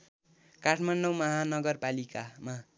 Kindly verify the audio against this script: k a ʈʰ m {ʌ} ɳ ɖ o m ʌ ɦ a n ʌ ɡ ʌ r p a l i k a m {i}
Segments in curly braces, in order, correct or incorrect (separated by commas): incorrect, incorrect